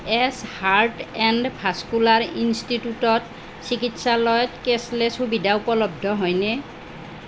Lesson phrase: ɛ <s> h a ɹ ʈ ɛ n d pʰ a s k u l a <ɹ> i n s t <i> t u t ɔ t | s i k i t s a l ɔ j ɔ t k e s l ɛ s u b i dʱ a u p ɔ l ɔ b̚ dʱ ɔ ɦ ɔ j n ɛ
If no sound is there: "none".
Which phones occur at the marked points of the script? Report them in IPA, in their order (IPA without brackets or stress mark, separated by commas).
s, ɹ, i